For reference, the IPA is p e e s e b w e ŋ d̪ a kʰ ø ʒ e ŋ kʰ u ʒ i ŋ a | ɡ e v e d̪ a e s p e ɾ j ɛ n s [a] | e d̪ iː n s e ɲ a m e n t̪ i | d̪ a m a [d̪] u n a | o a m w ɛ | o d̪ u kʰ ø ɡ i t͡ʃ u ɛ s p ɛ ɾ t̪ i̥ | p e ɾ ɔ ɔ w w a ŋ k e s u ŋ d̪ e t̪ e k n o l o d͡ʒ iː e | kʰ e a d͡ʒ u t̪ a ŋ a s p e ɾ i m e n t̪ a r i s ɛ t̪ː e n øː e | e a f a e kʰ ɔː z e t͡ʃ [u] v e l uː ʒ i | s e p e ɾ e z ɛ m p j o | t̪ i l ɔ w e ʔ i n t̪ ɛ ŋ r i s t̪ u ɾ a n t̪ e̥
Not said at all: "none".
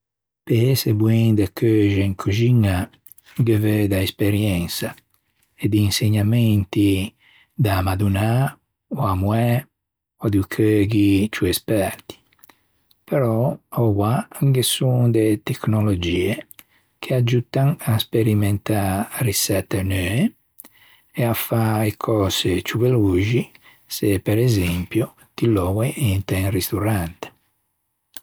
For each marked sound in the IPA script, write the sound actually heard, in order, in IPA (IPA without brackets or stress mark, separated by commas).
a, d̪, u